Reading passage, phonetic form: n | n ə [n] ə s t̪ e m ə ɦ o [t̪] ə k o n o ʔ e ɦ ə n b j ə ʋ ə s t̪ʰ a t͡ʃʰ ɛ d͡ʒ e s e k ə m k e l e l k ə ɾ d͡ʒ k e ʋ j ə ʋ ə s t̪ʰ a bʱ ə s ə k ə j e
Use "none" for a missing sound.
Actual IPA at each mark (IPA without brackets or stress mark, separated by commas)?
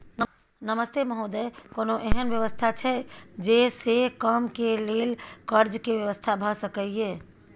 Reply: m, d̪